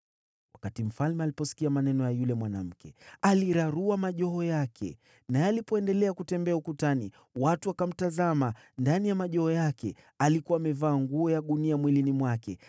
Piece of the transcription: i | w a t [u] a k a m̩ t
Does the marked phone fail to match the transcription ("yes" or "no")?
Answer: no